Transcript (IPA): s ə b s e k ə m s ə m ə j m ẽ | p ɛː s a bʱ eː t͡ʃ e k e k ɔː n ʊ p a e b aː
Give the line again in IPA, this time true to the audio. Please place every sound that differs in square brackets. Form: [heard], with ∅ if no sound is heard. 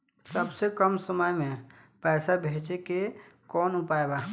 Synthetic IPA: s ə b s e k ə m s ə m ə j m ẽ | p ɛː s a bʱ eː t͡ʃ e k e k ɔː n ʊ p a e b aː